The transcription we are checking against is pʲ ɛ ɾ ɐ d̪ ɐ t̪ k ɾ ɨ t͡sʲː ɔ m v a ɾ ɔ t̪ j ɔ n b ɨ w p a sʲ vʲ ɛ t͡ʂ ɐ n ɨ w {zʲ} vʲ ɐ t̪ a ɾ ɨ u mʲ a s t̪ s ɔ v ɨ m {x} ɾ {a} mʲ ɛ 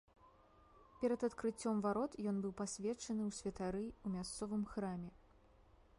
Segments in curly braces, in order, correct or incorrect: incorrect: sʲ, correct, correct

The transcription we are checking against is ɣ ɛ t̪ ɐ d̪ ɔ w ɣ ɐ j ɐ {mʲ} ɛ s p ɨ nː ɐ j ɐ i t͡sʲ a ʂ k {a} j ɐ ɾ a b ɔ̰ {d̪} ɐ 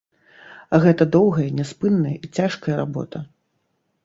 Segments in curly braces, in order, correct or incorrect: incorrect: nʲ, incorrect: ɐ, incorrect: t̪

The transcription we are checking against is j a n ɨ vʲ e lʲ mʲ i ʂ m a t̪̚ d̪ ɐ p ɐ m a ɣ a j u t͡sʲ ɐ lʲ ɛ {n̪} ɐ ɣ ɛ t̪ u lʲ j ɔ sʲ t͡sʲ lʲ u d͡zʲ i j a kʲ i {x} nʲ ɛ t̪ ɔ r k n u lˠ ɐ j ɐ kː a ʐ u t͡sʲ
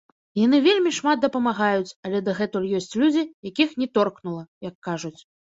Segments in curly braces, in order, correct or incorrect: incorrect: d̪, correct

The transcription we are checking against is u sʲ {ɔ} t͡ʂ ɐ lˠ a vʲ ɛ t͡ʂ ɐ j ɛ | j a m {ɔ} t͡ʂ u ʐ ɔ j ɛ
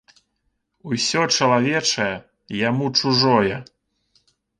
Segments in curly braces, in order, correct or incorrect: correct, incorrect: u

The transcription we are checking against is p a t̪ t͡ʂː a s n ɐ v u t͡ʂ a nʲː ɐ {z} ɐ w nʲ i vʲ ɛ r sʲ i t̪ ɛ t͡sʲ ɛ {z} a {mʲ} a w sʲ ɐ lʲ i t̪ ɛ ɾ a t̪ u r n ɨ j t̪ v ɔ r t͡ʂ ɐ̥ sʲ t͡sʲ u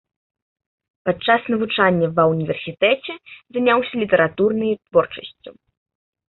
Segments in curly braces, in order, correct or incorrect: incorrect: v, correct, incorrect: nʲ

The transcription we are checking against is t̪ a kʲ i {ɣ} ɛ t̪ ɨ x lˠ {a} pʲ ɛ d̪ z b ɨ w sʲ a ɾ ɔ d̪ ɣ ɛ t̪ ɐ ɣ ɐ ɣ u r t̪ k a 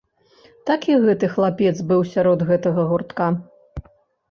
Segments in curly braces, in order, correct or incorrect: correct, correct

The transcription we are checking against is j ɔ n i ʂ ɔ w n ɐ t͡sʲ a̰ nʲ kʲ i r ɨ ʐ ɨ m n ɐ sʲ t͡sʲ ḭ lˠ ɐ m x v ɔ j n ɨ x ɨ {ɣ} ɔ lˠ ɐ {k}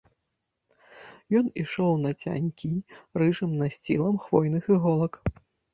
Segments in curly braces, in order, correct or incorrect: correct, correct

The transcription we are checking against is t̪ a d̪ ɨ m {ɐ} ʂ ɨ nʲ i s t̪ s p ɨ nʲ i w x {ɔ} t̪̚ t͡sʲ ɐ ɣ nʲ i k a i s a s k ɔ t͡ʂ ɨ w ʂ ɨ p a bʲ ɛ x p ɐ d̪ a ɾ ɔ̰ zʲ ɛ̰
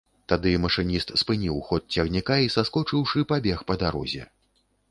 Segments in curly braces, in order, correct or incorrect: correct, correct

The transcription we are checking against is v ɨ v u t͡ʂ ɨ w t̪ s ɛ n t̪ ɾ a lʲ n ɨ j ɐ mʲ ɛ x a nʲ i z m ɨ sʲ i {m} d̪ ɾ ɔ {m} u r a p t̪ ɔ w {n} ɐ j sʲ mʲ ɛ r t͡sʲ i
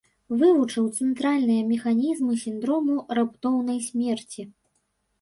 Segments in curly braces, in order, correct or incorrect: incorrect: n, correct, correct

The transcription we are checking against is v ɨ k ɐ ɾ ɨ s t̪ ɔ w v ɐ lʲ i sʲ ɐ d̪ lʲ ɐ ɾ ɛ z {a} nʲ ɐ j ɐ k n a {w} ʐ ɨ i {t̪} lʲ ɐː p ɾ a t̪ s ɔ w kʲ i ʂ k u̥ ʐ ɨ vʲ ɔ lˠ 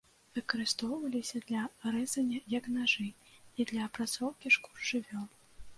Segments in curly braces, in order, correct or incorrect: incorrect: ɐ, incorrect: none, incorrect: d̪

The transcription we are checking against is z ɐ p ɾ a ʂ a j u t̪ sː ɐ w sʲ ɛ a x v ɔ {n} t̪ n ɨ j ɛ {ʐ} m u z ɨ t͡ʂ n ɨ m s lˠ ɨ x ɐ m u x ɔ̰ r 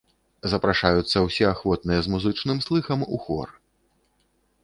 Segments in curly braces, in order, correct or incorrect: incorrect: none, incorrect: z

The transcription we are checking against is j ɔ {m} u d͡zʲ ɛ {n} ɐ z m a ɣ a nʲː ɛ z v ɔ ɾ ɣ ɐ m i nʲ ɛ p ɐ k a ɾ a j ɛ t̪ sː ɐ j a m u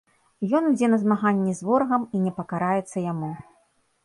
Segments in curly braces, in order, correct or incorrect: incorrect: n, correct

